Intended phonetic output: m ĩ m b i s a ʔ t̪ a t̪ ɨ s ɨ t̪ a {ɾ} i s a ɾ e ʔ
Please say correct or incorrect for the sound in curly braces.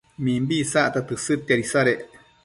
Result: correct